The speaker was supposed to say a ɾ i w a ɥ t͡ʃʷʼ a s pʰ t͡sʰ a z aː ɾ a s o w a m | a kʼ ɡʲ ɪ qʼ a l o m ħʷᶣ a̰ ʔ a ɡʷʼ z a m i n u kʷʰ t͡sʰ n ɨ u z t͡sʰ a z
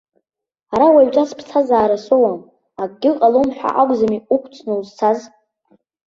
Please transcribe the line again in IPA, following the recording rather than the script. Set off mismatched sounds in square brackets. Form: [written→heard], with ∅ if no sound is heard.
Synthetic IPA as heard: a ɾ [i→a] w a ɥ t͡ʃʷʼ a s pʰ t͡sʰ a z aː ɾ a s o w a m | a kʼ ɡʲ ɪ qʼ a l o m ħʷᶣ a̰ ʔ a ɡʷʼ z a m i [n→∅] u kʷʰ t͡sʰ n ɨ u z t͡sʰ a z

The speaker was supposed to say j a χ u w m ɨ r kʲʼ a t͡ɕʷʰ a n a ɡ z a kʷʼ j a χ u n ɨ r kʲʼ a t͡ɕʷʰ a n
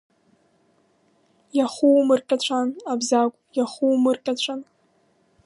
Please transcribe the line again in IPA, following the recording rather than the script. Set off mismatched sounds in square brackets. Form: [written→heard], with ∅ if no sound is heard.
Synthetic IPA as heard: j a χ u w m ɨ r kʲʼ a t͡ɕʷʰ a n a [ɡ→b] z a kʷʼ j a χ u [n→m] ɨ r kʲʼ a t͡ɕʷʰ a n

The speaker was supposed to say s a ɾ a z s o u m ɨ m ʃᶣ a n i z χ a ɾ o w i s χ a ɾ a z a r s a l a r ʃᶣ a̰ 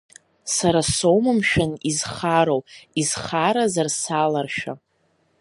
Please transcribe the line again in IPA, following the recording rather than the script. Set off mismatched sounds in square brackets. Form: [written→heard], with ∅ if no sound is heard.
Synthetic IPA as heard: s a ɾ a [z→∅] s o [u→w] m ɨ m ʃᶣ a n i z χ a ɾ o w i [s→z] χ a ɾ a z a r s a l a r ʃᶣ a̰

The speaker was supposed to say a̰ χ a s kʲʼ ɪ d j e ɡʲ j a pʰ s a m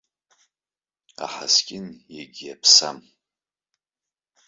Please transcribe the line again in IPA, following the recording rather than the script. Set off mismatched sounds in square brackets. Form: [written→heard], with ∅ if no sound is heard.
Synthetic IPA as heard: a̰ [χ→ħ] a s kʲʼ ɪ [d→n] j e ɡʲ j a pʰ s a m

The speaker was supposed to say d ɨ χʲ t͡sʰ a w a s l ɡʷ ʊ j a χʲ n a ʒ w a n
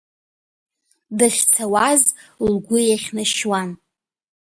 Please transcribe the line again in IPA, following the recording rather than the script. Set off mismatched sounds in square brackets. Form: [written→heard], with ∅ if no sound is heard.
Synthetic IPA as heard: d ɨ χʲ t͡sʰ a w a [s→z] l ɡʷ ʊ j a χʲ n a [ʒ→ʃ] w a n

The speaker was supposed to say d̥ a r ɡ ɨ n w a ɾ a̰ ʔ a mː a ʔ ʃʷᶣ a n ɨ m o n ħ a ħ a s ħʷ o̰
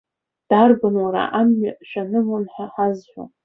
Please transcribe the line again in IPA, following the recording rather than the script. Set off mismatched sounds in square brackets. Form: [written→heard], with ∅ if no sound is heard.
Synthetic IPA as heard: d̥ a r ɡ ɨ n w a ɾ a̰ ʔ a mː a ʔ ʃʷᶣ a n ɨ m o n ħ a ħ a [s→z] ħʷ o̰

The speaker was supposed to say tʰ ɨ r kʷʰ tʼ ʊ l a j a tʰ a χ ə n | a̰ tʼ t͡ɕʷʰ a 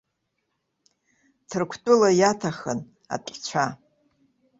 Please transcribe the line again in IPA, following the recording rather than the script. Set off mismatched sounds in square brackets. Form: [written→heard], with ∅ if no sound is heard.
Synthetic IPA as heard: tʰ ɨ r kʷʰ tʼ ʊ l a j a tʰ a χ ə n | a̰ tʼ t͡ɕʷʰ a

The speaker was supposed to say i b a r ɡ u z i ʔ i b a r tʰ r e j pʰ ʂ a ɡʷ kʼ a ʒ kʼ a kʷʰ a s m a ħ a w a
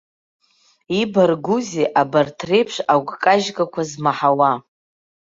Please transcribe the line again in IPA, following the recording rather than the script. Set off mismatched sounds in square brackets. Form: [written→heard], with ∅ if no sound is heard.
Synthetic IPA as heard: i b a r ɡ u z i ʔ [i→a] b a r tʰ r e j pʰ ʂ a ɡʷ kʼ a ʒ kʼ a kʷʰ a [s→z] m a ħ a w a

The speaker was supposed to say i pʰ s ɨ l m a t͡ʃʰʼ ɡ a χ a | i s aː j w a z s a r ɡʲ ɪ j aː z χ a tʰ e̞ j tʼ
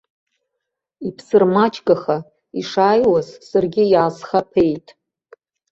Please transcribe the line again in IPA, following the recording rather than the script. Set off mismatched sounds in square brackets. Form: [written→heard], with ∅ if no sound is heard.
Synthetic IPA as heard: i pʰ s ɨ [l→r] m a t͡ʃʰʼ ɡ a χ a | i [s→ʂ] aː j w a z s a r ɡʲ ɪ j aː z χ a [tʰ→pʰ] e̞ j tʼ

